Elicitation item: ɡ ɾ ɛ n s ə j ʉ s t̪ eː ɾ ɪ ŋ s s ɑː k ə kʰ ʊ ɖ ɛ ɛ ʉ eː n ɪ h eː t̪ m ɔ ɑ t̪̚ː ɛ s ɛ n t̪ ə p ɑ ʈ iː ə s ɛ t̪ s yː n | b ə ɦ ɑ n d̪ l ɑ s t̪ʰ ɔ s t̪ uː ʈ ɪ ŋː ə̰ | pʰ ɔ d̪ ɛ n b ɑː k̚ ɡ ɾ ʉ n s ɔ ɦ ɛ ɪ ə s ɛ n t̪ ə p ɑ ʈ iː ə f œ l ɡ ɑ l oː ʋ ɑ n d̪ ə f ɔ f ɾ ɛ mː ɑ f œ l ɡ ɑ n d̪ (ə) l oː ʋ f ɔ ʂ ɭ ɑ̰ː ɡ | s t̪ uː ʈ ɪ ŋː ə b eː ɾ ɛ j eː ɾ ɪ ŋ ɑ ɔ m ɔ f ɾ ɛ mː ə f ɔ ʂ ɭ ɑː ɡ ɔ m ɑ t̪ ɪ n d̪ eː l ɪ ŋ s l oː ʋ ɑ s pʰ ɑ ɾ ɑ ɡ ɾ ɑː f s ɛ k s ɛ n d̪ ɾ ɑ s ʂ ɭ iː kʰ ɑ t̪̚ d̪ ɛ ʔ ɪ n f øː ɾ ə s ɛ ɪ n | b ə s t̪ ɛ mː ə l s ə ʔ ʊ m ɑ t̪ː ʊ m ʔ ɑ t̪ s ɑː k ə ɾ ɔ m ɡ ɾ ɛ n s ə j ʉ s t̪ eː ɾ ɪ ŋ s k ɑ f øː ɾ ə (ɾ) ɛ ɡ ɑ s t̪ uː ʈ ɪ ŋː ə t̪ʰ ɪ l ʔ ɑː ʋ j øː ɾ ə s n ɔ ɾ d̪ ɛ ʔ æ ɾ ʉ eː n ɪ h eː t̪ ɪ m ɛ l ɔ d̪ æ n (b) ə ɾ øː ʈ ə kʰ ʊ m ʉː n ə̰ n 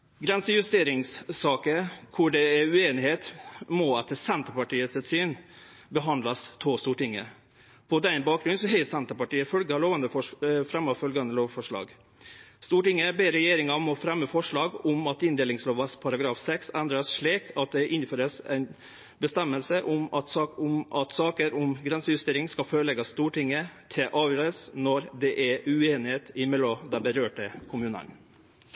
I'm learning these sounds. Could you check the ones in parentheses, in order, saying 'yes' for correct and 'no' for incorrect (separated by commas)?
yes, no, yes